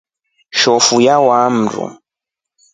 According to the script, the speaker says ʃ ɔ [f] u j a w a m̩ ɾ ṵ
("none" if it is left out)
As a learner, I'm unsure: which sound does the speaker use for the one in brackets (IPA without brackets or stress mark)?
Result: f